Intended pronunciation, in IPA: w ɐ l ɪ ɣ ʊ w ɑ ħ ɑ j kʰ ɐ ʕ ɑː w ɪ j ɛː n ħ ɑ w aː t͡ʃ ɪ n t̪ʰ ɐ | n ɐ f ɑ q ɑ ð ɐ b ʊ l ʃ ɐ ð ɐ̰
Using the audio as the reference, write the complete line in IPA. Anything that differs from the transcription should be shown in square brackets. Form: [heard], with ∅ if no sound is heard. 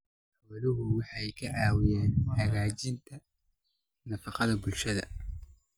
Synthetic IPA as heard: w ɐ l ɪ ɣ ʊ w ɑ ħ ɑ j kʰ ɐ ʕ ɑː w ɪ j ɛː n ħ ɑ [ɣ] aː t͡ʃ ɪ n t̪ʰ ɐ | n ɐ f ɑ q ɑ ð ɐ b ʊ l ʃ ɐ ð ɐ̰